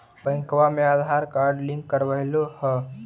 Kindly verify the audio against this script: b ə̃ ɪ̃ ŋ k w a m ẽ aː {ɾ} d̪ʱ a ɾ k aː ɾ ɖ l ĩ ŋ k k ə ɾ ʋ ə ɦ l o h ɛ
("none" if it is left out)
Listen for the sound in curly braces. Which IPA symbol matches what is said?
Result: none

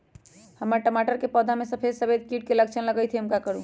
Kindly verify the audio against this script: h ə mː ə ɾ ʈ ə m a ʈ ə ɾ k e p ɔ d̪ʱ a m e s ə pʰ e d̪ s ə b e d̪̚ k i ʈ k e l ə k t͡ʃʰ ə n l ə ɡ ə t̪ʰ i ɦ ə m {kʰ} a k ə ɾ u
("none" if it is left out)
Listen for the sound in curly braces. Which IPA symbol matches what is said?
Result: k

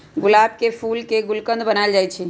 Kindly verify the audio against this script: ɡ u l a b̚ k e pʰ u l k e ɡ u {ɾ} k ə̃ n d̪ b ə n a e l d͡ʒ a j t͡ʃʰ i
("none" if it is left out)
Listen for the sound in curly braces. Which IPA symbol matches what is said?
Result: l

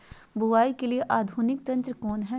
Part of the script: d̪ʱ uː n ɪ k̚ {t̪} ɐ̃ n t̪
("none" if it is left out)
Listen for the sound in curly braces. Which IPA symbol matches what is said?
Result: t̪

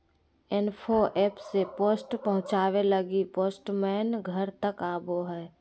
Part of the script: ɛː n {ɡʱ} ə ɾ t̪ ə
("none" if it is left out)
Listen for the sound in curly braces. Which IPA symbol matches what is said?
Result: ɡʱ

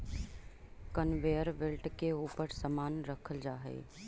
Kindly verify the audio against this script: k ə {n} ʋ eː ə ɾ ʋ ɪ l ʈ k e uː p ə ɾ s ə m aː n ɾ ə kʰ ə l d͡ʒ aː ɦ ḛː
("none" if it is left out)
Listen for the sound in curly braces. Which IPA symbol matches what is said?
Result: n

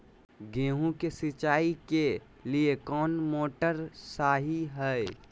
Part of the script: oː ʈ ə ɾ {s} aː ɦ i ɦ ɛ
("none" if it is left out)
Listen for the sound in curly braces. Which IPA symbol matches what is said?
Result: s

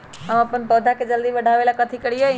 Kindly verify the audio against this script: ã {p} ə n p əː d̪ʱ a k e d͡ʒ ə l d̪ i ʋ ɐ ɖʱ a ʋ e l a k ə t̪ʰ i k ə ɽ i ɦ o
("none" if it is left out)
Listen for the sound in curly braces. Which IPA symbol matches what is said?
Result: p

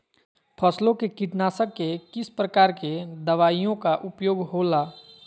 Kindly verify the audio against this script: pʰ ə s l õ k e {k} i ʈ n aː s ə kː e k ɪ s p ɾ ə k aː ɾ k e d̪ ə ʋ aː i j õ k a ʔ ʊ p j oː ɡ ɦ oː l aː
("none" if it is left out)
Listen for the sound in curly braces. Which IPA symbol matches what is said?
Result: k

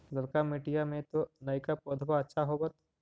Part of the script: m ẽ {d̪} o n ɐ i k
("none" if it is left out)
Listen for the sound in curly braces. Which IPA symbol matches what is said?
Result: t̪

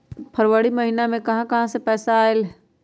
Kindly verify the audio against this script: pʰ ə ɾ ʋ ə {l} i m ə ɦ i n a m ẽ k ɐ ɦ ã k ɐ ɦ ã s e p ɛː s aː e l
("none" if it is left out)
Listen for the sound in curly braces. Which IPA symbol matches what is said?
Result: ɽ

